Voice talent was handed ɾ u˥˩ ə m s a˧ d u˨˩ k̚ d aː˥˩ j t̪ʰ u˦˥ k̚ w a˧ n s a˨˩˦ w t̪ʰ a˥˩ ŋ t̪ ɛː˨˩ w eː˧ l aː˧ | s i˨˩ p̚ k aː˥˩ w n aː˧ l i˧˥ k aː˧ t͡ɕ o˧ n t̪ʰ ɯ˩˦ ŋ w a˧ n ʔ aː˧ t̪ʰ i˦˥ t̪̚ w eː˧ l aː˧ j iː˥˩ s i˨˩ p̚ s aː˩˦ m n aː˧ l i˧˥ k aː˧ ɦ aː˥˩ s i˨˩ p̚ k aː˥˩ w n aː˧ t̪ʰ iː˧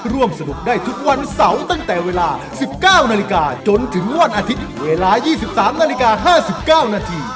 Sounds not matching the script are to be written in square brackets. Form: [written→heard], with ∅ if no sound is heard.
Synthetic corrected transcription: ɾ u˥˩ ə m s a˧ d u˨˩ k̚ d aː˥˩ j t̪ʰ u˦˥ k̚ w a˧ n s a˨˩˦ w [t̪ʰ→t̪] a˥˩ ŋ t̪ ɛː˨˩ w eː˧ l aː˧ | s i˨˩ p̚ k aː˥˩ w n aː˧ l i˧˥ k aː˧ t͡ɕ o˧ n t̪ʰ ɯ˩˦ ŋ w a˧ n ʔ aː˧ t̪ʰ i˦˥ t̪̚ w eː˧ l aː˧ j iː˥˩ s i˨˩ p̚ s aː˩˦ m n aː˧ l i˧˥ k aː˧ ɦ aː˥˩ s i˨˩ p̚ k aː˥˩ w n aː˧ t̪ʰ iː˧